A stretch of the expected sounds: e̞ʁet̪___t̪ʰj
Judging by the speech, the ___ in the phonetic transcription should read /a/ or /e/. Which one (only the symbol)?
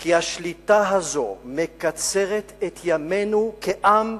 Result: e